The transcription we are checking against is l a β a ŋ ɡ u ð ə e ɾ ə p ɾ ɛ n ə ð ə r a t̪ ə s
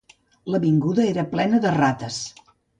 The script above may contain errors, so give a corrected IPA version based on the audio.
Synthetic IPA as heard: l ə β i ŋ ɡ u ð ə e ɾ ə p l ɛ n ə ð ə r a t̪ ə s